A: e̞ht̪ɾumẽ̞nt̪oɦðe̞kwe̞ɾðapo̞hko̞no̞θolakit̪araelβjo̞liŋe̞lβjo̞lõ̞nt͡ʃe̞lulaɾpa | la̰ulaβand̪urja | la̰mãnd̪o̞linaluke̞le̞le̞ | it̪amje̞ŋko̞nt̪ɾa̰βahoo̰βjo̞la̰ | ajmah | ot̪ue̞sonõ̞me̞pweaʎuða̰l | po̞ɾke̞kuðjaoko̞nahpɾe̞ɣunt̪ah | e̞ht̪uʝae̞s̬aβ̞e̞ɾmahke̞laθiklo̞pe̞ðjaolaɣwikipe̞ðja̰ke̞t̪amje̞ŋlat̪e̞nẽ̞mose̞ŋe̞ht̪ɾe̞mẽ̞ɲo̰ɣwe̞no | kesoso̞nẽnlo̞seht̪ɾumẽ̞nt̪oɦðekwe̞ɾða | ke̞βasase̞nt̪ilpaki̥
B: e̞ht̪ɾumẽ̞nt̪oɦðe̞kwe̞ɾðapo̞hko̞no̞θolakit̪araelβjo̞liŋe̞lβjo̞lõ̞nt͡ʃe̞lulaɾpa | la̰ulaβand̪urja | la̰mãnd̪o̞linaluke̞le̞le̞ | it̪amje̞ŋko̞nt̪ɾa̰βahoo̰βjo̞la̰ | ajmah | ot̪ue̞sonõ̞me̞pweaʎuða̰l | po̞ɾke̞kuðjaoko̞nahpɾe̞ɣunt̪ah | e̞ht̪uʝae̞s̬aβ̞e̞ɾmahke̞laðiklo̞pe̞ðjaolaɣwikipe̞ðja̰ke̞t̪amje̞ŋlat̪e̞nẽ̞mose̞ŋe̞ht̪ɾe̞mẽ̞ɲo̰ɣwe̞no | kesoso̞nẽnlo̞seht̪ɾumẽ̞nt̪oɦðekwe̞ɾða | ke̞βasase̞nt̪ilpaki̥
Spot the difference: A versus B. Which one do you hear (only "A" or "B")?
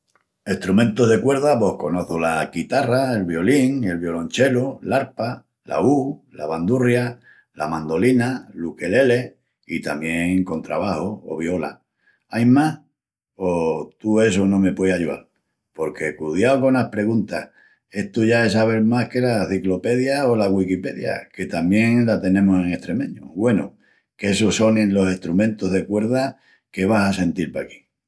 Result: A